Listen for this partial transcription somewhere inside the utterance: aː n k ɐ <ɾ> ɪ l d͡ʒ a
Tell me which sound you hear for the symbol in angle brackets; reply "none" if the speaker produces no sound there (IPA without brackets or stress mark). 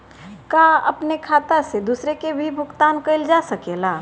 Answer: none